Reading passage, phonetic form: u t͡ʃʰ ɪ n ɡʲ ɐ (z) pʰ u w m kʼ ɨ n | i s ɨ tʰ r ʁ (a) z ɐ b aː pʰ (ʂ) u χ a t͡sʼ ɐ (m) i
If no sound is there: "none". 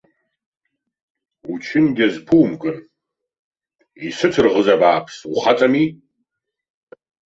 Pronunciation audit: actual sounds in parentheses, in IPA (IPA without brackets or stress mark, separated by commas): z, ə, s, m